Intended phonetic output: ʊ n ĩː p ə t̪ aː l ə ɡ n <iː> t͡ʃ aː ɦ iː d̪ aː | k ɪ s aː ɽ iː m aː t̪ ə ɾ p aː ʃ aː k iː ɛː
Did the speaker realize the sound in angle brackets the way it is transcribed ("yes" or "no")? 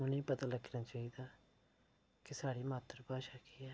no